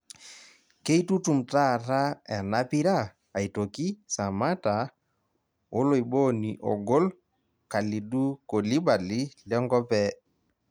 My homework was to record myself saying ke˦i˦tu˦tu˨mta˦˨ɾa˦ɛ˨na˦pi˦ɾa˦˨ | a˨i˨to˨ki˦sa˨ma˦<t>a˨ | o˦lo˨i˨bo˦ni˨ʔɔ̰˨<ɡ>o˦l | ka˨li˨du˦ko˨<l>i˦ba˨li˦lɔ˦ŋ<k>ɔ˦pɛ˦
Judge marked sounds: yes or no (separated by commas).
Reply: yes, yes, yes, no